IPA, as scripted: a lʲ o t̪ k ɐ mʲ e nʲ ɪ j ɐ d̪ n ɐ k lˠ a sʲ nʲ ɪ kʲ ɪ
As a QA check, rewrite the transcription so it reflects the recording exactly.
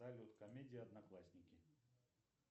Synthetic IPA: a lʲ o t̪ k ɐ mʲ e dʲ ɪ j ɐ d̪ n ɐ k lˠ a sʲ nʲ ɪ kʲ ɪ